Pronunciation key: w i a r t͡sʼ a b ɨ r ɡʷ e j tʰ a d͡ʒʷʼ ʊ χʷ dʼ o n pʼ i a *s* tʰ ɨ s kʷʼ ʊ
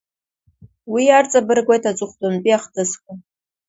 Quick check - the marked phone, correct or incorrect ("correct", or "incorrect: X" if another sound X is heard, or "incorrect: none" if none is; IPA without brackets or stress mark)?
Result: incorrect: χ